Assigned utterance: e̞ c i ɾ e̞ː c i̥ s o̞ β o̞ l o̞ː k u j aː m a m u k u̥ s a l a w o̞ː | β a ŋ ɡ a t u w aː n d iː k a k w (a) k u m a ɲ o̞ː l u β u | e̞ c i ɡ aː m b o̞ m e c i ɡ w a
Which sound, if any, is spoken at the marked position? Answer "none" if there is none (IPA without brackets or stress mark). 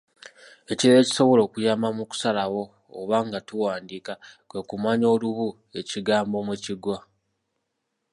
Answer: e